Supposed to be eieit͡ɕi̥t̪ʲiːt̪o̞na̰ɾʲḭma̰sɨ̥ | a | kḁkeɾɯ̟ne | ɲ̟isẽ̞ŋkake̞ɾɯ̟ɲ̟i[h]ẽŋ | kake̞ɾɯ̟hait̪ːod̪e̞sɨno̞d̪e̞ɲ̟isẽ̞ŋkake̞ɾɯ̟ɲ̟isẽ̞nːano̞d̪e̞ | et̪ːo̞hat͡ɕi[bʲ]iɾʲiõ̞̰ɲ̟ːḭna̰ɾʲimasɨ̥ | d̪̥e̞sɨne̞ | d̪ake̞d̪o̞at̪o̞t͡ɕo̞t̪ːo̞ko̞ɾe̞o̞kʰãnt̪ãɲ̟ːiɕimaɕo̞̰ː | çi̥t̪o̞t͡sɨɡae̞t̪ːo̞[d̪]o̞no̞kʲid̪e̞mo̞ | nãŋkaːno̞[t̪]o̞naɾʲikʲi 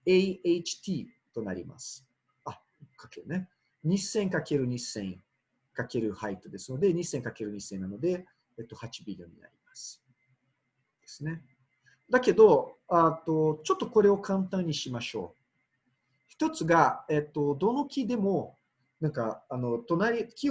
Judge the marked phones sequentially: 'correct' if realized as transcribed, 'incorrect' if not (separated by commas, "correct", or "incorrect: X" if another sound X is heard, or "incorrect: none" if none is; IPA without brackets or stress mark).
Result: incorrect: s, correct, correct, correct